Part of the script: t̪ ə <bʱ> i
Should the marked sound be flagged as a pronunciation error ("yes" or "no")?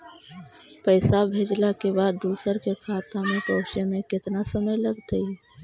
yes